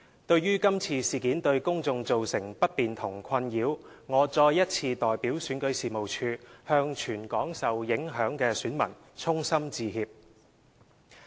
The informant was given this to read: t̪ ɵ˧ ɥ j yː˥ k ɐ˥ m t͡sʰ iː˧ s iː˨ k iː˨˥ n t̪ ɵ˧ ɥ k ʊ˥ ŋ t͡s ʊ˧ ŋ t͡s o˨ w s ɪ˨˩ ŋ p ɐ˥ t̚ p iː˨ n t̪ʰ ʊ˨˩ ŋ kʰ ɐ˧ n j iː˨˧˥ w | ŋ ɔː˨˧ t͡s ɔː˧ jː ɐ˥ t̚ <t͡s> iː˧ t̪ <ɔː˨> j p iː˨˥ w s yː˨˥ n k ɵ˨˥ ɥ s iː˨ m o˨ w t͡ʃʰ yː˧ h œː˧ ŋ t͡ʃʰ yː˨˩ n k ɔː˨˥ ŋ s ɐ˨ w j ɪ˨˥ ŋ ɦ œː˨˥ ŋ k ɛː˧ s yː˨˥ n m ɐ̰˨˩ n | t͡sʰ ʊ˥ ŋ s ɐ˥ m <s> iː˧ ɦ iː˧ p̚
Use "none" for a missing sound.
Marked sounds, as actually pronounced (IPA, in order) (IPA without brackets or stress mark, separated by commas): t͡sʰ, ɔː˨, t͡s